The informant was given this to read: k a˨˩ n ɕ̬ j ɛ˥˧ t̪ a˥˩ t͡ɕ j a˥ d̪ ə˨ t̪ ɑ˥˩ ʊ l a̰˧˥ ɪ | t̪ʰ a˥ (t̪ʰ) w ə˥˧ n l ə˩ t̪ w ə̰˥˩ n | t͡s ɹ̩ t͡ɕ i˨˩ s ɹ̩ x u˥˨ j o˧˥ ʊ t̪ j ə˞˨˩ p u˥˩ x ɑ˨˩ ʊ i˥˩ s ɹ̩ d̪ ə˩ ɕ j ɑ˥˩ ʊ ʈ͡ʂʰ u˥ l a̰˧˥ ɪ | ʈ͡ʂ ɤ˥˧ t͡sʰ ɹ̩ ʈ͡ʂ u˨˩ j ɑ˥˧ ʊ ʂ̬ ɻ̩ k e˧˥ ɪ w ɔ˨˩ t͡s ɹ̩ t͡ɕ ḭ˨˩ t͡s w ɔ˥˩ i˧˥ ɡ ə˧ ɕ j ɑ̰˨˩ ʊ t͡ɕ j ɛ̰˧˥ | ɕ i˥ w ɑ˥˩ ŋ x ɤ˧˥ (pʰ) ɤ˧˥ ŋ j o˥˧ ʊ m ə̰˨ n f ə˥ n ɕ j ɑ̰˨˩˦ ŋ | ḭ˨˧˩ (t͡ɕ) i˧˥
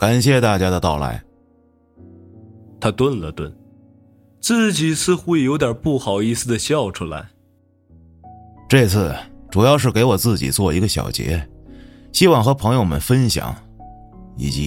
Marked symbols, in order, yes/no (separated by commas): no, yes, yes